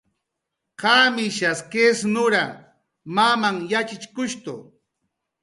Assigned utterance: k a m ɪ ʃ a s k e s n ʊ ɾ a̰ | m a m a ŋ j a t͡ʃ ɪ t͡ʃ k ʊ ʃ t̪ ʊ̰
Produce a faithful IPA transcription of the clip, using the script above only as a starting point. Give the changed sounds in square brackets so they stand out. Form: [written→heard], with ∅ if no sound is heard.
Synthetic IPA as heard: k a m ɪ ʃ a s k e s n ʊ ɾ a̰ | m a m a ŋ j a t͡ʃ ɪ t͡ʃ k ʊ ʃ t̪ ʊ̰